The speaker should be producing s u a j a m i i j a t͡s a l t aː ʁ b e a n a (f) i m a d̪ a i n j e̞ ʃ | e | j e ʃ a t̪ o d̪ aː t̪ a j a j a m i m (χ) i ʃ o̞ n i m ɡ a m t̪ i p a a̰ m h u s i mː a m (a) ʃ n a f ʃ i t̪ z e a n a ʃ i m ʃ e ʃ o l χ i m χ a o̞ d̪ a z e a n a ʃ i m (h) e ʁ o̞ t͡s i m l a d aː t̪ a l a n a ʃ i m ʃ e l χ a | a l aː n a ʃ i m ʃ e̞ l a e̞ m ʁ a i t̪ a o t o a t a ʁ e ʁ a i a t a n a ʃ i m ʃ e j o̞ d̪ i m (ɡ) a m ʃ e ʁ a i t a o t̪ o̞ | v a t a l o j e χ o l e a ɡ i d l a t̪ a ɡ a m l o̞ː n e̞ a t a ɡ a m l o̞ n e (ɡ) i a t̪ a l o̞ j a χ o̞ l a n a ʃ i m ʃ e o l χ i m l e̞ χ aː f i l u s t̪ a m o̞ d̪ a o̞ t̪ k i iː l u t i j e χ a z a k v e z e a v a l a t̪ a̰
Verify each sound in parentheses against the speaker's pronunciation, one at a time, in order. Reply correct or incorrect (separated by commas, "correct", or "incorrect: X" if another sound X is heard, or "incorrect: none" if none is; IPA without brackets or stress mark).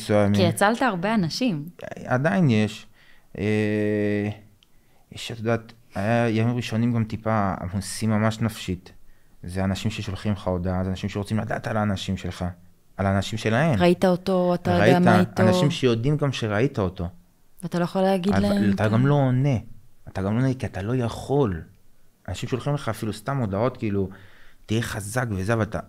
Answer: incorrect: ʃ, incorrect: ʁ, correct, incorrect: ʃ, correct, incorrect: k